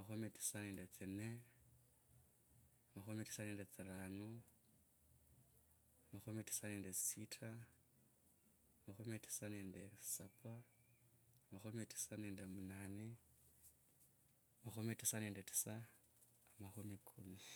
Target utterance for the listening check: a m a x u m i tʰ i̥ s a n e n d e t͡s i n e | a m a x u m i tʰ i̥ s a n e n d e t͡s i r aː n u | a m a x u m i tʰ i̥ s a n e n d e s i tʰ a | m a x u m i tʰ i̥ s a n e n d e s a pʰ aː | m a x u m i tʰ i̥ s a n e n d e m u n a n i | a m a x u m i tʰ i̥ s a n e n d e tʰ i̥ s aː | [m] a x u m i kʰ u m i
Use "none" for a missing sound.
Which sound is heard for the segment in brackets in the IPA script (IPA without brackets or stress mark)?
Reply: m